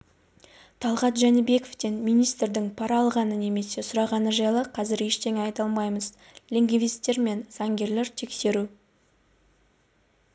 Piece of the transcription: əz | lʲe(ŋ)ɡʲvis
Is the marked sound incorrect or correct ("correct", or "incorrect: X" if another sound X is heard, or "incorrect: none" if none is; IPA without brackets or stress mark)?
correct